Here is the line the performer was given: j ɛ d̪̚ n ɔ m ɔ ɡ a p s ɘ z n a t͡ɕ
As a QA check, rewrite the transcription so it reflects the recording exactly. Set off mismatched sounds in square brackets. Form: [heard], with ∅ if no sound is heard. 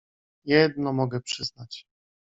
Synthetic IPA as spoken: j ɛ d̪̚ n ɔ m ɔ ɡ [ɛ] p [ʂ] ɘ z n a t͡ɕ